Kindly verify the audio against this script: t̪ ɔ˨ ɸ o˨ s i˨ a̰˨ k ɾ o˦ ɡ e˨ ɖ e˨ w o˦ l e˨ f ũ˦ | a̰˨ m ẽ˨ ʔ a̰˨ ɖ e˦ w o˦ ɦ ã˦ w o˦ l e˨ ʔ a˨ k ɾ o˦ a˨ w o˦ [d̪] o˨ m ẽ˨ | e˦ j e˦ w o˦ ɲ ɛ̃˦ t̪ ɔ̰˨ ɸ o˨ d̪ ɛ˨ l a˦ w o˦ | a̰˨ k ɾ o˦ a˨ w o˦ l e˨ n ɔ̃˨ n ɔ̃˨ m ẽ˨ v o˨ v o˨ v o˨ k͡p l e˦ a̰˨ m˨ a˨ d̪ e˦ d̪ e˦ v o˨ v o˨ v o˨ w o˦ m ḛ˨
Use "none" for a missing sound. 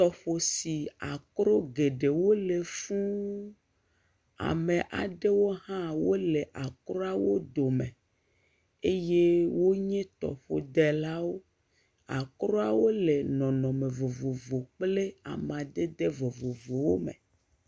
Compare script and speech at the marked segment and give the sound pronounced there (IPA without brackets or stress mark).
d̪